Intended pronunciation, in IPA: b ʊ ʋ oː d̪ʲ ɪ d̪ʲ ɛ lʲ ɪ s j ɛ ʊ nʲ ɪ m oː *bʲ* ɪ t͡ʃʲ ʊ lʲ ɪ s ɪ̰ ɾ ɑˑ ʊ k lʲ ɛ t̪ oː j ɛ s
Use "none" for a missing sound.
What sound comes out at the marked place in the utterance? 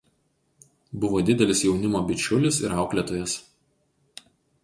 bʲ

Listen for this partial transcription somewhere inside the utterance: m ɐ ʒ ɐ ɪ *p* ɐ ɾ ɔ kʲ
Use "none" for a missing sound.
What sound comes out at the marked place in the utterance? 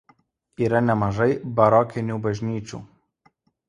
b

